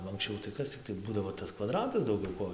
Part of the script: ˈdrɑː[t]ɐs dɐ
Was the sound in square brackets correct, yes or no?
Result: yes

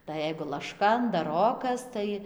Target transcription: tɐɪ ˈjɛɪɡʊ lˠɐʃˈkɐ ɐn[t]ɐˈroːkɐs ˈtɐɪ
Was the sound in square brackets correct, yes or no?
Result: no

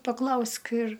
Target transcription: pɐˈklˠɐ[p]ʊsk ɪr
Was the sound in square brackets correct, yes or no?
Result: no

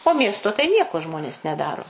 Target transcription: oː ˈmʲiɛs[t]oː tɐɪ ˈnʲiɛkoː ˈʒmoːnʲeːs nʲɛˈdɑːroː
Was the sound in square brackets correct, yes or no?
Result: yes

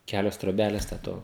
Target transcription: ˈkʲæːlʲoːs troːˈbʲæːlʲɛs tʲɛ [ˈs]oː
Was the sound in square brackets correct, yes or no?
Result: no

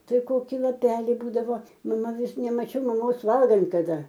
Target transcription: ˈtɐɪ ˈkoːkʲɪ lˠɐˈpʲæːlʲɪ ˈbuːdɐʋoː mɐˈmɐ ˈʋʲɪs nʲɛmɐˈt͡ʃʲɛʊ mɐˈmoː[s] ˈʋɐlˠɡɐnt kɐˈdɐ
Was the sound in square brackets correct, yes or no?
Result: yes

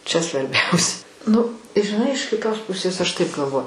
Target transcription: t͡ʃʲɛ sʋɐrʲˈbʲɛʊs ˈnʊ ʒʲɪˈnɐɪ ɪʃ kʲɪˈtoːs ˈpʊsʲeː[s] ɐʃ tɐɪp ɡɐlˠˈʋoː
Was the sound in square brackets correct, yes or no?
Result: yes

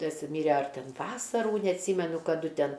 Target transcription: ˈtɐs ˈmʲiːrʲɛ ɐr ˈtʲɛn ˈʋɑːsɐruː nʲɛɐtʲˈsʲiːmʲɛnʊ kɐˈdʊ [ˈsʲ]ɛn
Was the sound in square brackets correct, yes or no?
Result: no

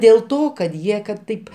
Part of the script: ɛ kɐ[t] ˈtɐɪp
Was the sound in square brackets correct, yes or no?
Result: yes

